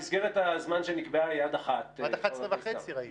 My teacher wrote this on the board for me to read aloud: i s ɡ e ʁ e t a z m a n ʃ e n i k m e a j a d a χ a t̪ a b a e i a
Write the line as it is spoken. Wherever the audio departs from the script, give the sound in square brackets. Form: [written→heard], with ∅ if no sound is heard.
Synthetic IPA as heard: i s ɡ e ʁ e t a z m a n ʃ e n i k [m→b] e a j a d a χ a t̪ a [b→v] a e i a